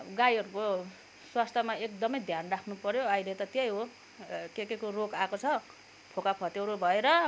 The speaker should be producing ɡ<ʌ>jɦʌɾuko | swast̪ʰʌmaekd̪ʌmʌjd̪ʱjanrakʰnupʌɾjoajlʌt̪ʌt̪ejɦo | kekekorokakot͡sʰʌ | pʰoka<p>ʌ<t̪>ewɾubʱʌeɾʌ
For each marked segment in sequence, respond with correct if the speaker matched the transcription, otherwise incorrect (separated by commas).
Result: incorrect, incorrect, correct